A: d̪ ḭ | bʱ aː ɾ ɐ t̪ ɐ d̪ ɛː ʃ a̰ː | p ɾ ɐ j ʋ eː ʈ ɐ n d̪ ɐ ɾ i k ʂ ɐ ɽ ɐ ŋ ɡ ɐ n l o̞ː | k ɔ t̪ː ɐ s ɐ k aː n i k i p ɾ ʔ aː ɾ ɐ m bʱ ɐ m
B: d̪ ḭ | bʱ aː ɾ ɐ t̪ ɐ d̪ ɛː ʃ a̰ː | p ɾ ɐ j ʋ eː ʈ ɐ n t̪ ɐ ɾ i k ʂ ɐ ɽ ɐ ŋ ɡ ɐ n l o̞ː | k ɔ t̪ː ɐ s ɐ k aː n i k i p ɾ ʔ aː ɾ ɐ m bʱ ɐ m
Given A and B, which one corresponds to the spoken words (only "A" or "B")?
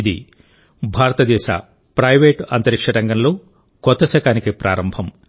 B